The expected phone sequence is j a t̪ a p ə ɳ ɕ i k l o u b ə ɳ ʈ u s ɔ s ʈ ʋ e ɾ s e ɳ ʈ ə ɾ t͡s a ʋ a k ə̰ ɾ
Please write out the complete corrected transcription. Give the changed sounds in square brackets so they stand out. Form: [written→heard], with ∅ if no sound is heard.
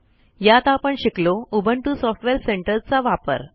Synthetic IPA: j a t̪ a p ə ɳ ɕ i k l o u b ə ɳ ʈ u s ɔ [s→f] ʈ ʋ e ɾ s e ɳ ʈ ə ɾ t͡s a ʋ a [k→p] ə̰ ɾ